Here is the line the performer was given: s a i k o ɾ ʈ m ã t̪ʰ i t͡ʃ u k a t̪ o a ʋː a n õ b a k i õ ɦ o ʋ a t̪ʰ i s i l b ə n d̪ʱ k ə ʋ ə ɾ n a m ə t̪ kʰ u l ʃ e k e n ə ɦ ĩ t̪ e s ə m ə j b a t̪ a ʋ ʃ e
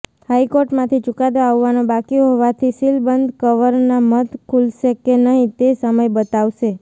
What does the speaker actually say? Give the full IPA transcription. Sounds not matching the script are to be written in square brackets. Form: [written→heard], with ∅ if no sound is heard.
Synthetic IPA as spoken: [s→h] a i k o ɾ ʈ m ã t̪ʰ i t͡ʃ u k a [t̪→d̪] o a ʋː a n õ b a k i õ ɦ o ʋ a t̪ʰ i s i l b ə n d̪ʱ k ə ʋ ə ɾ n a m ə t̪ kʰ u l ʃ e k e n ə ɦ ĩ t̪ e s ə m ə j b [a→ə] t̪ a ʋ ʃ e